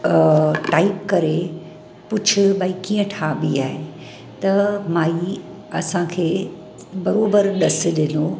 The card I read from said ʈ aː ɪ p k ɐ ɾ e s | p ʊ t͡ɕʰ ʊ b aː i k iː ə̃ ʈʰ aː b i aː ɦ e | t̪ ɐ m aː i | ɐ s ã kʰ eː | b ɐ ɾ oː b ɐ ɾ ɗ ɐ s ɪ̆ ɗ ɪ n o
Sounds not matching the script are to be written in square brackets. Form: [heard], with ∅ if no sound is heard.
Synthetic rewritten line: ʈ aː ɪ p k ɐ ɾ e [∅] | p ʊ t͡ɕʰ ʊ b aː i k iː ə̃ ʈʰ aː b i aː ɦ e | t̪ ɐ m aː i | ɐ s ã kʰ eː | b ɐ ɾ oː b [ə] ɾ ɗ ɐ s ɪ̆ ɗ ɪ n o